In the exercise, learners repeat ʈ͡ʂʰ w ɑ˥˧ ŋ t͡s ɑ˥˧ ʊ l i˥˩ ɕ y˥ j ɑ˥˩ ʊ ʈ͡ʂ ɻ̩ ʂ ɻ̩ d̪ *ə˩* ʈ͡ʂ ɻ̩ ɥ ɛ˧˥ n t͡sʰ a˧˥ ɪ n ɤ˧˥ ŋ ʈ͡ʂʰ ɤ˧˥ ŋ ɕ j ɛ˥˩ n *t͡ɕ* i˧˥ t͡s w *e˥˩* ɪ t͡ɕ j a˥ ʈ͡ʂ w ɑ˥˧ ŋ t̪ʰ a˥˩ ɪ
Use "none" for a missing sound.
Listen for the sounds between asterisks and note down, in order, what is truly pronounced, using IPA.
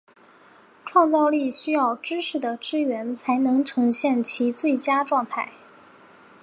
ə˩, t͡ɕʰ, e˥˩

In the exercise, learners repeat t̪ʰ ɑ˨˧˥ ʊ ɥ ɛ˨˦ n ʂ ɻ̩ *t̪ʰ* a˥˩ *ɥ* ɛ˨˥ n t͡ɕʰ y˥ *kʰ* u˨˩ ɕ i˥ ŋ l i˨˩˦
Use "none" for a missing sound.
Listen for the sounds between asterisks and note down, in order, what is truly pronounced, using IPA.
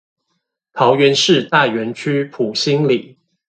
t̪, ɥ, pʰ

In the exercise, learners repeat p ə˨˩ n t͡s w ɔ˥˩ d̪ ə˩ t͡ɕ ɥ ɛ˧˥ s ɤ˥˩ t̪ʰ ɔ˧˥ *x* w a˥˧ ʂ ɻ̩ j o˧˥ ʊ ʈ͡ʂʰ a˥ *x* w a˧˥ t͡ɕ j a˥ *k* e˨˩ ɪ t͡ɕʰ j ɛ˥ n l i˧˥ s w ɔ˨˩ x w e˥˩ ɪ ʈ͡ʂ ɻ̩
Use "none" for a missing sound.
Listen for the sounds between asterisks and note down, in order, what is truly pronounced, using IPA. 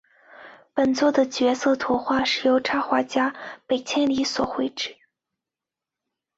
x, x, p

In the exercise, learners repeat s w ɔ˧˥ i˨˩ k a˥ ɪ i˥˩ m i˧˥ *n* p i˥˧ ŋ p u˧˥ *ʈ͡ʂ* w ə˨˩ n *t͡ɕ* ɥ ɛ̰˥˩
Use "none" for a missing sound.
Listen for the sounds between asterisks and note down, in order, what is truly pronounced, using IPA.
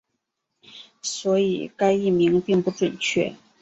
ŋ, ʈ͡ʂ, t͡ɕʰ

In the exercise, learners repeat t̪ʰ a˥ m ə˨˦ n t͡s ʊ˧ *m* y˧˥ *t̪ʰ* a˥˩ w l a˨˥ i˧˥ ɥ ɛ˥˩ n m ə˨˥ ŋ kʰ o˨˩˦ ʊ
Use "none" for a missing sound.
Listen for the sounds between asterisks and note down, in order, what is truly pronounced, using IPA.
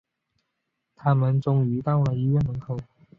ŋ, t̪

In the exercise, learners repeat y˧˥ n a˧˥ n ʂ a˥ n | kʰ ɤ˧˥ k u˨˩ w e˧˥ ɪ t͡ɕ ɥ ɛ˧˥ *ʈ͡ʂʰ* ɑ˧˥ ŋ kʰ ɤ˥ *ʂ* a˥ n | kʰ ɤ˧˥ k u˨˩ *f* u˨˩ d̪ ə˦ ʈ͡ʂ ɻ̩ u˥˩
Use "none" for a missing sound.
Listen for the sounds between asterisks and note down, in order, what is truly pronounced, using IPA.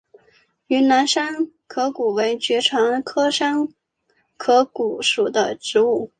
ʈ͡ʂʰ, ʂ, ʂ

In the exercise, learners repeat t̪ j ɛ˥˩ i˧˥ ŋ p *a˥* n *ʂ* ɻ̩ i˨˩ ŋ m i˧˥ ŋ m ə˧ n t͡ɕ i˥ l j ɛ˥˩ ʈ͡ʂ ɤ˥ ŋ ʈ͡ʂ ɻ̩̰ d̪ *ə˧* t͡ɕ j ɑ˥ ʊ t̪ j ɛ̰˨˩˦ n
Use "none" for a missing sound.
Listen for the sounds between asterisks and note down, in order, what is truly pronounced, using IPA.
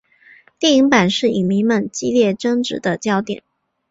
a˨˩, ʂ, ə˧

